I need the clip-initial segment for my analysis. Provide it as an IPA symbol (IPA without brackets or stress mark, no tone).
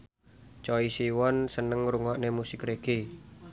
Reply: t͡ʃ